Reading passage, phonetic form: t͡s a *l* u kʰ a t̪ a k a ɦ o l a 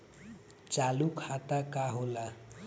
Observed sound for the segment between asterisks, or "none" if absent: l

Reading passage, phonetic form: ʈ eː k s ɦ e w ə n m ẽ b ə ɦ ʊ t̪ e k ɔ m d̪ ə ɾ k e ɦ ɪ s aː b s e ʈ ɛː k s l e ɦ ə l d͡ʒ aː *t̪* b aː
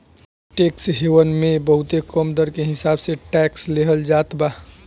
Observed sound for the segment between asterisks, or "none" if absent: t̪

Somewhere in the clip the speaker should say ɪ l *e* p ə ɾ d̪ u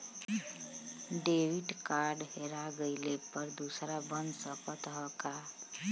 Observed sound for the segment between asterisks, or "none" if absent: e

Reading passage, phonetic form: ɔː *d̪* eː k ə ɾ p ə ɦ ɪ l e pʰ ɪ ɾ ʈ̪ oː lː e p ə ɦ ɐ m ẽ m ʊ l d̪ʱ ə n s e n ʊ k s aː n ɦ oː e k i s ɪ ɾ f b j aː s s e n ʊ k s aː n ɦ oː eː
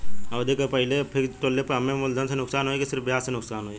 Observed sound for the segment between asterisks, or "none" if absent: d̪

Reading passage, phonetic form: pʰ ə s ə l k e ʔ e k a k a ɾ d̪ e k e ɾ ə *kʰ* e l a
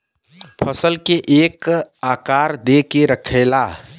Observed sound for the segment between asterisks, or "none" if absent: kʰ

